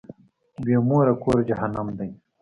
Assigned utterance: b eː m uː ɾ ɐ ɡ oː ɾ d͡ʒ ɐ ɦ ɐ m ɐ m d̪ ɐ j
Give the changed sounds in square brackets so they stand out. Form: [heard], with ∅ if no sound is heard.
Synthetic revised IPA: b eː m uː ɾ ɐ [k] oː ɾ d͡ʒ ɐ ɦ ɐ [n] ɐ m d̪ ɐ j